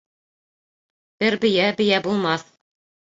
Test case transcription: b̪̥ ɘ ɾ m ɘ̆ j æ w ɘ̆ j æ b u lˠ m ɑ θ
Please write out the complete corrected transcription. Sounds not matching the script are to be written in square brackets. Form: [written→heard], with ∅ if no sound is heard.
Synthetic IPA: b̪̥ ɘ ɾ [m→b] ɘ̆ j æ [w→b] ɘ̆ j æ b u lˠ m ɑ θ